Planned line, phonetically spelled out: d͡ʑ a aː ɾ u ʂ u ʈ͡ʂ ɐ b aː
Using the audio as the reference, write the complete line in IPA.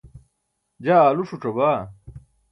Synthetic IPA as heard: d͡ʑ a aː l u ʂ u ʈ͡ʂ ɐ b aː